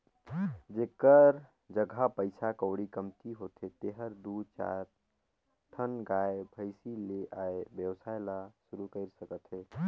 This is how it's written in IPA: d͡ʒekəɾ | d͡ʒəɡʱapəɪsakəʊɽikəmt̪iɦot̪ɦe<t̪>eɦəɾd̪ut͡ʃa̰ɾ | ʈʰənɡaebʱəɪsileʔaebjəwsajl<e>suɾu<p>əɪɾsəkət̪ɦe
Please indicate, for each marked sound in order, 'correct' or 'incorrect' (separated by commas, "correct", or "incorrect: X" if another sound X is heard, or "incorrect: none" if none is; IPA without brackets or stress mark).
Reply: correct, incorrect: a, incorrect: k